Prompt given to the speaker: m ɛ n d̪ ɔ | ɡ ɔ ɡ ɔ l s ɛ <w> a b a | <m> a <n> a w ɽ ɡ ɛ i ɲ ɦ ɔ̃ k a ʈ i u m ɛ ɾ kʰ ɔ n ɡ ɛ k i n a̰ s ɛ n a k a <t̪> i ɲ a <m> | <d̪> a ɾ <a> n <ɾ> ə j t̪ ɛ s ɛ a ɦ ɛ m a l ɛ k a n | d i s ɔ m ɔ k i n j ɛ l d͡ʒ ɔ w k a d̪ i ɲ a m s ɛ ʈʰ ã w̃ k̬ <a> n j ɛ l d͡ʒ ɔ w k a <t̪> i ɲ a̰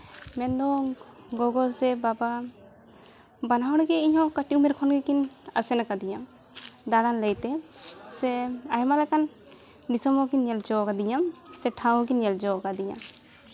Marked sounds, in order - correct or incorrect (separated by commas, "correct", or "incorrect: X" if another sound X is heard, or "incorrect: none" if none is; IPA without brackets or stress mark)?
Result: incorrect: b, incorrect: b, correct, incorrect: d̪, correct, correct, correct, incorrect: l, incorrect: i, incorrect: d̪